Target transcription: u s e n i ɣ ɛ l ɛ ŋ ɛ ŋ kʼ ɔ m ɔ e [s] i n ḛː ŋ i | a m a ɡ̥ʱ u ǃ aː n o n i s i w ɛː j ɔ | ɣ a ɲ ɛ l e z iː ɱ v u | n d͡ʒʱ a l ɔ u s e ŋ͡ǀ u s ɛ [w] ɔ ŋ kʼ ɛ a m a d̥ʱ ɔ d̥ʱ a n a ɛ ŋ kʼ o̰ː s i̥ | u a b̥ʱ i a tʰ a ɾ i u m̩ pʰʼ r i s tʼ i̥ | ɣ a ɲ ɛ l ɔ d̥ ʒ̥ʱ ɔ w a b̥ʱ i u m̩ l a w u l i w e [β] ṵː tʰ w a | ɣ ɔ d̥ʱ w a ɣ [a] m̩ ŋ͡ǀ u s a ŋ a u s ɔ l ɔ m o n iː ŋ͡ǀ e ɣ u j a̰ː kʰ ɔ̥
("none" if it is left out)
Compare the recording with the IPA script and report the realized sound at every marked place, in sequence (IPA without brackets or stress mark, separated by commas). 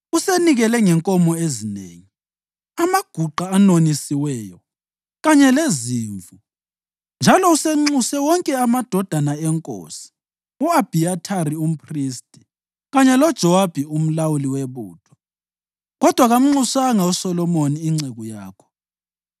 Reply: z, w, β, a